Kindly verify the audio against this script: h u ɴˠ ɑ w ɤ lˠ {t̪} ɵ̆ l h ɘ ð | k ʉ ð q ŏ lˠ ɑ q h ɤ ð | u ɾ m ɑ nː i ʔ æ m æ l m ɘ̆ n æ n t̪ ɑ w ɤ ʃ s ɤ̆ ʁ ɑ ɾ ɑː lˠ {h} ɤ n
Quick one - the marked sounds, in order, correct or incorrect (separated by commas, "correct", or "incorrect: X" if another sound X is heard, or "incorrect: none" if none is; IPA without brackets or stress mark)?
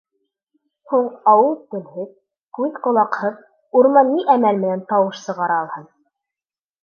correct, correct